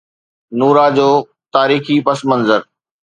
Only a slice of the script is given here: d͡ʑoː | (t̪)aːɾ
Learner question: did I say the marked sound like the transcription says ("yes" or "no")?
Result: yes